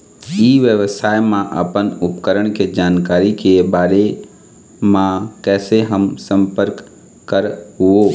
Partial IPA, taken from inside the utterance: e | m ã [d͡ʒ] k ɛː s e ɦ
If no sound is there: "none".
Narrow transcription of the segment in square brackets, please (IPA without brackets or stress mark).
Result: none